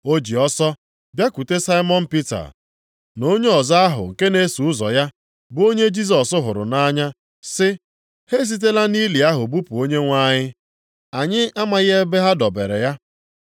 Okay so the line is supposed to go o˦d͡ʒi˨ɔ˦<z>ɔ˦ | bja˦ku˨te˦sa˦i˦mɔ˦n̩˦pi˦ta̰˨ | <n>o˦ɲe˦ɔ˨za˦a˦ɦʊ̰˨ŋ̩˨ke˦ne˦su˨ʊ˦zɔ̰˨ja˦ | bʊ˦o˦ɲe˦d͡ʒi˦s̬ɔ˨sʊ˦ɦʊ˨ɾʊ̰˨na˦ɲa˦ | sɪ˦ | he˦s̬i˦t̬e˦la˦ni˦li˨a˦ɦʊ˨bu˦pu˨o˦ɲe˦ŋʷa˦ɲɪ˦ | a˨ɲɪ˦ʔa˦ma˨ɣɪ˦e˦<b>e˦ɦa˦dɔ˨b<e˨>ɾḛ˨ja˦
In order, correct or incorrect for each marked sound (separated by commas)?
incorrect, correct, correct, correct